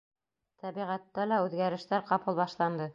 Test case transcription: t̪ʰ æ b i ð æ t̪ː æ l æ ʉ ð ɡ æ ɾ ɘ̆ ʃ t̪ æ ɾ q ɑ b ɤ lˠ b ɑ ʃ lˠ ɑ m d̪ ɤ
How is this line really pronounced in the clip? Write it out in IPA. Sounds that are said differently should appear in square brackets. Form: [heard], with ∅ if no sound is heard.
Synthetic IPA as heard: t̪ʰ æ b i [ʁ] æ t̪ː æ l æ ʉ ð ɡ æ ɾ ɘ̆ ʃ t̪ æ ɾ q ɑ [p] ɤ lˠ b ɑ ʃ lˠ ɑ [n] d̪ ɤ

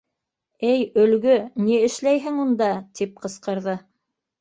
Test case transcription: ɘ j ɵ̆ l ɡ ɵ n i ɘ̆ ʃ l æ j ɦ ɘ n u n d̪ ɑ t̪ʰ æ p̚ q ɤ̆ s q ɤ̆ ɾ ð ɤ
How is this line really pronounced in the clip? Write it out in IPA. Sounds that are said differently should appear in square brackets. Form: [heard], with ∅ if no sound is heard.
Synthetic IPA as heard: ɘ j ɵ̆ l ɡ ɵ n i ɘ̆ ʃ l æ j ɦ ɘ [ŋ] u n d̪ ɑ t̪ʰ [i] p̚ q ɤ̆ s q ɤ̆ ɾ ð ɤ

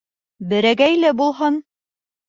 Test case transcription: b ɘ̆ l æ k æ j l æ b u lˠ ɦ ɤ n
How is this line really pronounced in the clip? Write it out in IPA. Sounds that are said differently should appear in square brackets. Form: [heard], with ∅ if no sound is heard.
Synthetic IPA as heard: b ɘ̆ [ɾ] æ [ɡ] æ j l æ b u lˠ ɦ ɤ n

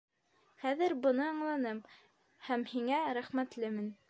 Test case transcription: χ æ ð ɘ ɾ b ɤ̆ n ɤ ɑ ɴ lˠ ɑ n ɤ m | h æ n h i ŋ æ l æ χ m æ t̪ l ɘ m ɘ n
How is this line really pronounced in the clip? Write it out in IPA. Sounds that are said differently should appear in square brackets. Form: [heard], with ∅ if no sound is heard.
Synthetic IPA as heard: χ æ ð ɘ ɾ b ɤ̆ n ɤ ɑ ɴ lˠ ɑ n ɤ m | h æ [m] h i ŋ æ [ɾ] æ χ m æ t̪ l ɘ m ɘ n

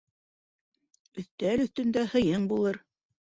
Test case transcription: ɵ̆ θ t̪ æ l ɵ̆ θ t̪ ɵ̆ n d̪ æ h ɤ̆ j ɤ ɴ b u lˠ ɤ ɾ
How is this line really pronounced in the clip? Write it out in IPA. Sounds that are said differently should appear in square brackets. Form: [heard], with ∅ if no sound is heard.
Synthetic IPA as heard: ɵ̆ θ t̪ æ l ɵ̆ θ t̪ ɵ̆ n d̪ æ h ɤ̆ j ɤ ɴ b u lˠ ɤ ɾ

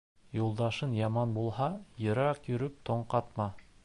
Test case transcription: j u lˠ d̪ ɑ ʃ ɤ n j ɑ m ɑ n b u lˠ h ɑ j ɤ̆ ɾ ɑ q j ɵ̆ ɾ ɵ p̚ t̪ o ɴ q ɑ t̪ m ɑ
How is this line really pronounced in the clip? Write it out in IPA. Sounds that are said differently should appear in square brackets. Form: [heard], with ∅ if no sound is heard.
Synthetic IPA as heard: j u lˠ d̪ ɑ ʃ ɤ n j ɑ m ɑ n b u lˠ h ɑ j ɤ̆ ɾ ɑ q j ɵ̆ ɾ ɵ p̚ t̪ o ɴ q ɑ t̪ m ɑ

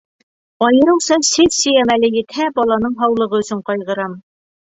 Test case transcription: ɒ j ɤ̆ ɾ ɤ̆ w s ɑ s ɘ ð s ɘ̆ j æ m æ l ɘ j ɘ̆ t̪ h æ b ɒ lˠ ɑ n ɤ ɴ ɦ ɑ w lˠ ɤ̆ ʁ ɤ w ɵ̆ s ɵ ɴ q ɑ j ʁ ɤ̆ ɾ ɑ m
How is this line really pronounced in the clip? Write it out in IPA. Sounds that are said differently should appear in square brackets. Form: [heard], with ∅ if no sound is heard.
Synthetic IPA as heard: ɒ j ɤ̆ ɾ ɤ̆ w s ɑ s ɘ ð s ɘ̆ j æ m æ l ɘ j ɘ̆ t̪ h æ b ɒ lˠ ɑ n ɤ ɴ ɦ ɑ w lˠ ɤ̆ ʁ ɤ [∅] ɵ̆ s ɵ ɴ q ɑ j ʁ ɤ̆ ɾ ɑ m

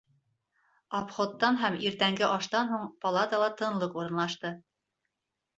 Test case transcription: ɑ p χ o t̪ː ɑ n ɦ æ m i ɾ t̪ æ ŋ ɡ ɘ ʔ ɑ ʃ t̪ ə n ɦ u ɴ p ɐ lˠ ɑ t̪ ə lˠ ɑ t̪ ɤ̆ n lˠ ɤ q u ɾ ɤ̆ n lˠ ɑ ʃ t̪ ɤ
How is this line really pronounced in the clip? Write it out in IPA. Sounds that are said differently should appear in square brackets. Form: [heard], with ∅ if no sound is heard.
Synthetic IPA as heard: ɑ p χ o t̪ː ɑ n ɦ æ m i ɾ t̪ æ ŋ ɡ ɘ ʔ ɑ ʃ t̪ [ɑ] n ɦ u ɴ p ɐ lˠ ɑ t̪ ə lˠ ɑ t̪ ɤ̆ n lˠ ɤ q u ɾ ɤ̆ n lˠ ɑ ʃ t̪ ɤ

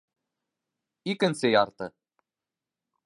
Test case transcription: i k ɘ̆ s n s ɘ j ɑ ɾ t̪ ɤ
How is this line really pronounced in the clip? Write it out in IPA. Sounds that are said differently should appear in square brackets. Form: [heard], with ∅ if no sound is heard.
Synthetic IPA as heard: i k ɘ̆ [∅] n s ɘ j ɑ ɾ t̪ ɤ

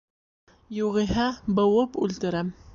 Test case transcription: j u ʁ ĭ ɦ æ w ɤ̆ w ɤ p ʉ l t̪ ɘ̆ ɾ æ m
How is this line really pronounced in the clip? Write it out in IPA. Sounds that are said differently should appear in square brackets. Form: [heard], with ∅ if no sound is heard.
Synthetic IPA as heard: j u ʁ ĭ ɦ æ [b] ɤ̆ w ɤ p ʉ l t̪ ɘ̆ ɾ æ m

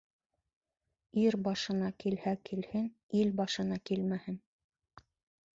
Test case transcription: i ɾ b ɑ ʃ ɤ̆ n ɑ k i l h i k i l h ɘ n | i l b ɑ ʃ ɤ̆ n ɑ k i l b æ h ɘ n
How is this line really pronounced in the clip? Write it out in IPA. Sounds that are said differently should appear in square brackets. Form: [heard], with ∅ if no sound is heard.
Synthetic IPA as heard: i ɾ b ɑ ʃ ɤ̆ n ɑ k i l h [æ] k i l h ɘ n | i l b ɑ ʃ ɤ̆ n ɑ k i l [m] æ h ɘ n

